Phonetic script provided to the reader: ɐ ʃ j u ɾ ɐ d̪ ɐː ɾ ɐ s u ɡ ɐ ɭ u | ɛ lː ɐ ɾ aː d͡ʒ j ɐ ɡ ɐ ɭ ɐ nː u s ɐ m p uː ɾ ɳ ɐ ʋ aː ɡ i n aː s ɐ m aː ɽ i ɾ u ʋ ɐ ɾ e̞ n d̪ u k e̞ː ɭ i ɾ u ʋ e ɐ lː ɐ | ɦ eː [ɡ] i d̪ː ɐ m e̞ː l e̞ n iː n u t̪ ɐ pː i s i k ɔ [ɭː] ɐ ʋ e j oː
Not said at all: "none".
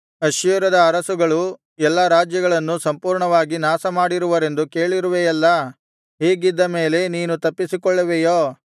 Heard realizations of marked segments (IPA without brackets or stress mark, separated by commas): ɡ, ɭː